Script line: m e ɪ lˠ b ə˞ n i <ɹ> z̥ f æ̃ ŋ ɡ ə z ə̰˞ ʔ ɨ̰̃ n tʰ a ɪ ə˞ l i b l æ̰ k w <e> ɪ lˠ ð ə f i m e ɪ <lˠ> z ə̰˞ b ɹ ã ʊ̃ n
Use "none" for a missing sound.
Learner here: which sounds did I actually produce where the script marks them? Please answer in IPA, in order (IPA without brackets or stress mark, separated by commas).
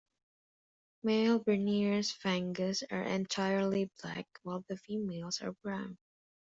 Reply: ɹ, a, lˠ